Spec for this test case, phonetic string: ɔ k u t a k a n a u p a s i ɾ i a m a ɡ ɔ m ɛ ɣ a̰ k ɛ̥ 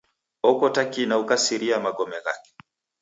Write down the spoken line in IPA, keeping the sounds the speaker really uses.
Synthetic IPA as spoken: ɔ k ɔ t a k i n a u k a s i ɾ i a m a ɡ ɔ m ɛ ɣ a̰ k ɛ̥